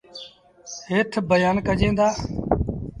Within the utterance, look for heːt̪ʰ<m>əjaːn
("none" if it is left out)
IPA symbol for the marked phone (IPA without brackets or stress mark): b